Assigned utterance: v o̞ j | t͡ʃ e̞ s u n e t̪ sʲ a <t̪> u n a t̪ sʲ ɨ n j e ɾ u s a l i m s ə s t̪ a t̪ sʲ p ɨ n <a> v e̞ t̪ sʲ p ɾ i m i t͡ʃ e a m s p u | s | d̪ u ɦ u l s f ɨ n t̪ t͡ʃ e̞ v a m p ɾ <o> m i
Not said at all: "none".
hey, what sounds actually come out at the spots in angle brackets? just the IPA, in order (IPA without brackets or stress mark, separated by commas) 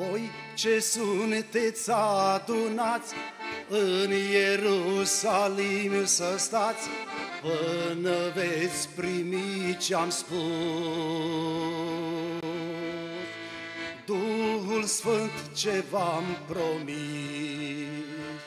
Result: d̪, ə, o